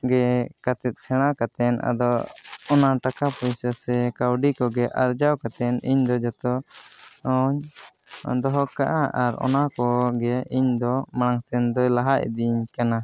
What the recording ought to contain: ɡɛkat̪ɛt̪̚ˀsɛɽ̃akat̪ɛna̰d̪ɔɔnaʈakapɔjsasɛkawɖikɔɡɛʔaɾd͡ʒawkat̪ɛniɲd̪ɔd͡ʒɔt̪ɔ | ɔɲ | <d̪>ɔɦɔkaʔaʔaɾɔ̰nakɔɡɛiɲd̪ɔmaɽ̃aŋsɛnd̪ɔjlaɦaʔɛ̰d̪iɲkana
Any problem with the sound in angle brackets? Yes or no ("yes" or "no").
no